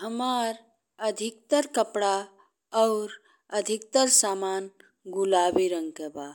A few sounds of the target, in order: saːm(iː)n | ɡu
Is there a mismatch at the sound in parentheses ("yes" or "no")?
yes